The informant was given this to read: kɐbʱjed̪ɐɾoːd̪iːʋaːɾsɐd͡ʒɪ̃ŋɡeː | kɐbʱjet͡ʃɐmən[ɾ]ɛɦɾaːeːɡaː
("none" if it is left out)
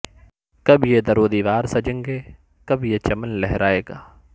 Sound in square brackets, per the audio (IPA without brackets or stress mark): l